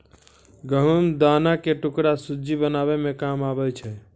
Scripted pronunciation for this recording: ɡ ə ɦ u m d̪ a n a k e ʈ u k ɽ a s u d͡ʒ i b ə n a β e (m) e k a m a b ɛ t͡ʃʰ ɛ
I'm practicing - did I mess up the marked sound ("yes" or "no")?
no